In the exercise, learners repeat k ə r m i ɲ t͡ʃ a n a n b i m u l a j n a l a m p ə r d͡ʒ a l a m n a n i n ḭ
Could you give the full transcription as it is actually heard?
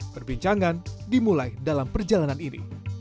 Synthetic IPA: p ə r b i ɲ t͡ʃ a ŋ a n d i m u l a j d a l a m p ə r d͡ʒ a l a n a n i n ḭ